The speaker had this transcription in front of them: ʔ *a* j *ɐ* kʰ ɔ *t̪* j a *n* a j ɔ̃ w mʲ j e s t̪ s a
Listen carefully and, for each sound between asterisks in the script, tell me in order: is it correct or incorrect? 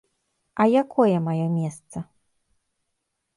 correct, incorrect, incorrect, incorrect

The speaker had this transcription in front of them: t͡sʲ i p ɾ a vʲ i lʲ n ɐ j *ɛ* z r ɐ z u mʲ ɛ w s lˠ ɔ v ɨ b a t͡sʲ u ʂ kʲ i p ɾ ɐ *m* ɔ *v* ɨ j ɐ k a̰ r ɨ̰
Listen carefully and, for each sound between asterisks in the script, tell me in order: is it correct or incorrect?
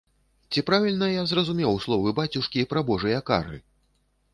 incorrect, incorrect, incorrect

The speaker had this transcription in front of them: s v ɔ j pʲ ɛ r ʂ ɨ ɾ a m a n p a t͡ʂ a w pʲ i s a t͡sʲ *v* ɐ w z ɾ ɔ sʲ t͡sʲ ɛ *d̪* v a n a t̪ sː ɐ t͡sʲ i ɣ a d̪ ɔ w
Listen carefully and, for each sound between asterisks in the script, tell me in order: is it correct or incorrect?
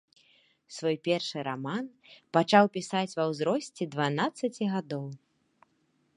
correct, correct

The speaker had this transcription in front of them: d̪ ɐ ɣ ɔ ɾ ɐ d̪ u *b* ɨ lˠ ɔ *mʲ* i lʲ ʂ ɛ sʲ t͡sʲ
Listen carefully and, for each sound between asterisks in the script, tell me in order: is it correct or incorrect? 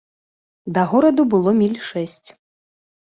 correct, correct

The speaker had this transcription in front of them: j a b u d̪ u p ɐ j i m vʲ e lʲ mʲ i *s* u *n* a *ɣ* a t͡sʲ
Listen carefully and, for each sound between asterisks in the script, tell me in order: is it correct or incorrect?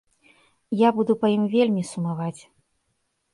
correct, incorrect, incorrect

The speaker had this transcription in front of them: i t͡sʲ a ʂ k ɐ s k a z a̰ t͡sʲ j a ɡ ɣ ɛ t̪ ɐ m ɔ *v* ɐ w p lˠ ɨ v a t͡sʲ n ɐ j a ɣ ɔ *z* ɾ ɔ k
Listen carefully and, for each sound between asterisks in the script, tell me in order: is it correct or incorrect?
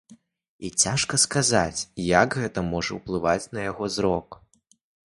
incorrect, correct

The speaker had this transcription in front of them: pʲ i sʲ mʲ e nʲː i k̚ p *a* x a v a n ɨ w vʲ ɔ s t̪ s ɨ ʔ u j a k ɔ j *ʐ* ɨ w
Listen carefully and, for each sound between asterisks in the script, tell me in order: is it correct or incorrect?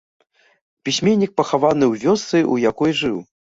incorrect, correct

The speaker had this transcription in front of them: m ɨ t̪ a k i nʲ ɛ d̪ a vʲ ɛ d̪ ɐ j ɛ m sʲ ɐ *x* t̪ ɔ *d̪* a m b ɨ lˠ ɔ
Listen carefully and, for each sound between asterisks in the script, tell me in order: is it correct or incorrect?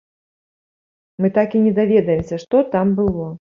incorrect, incorrect

